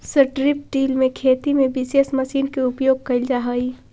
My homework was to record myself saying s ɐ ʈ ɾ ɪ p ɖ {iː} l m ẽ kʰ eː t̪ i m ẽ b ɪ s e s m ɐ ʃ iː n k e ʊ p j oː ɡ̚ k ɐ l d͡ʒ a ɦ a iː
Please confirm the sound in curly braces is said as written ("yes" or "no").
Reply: yes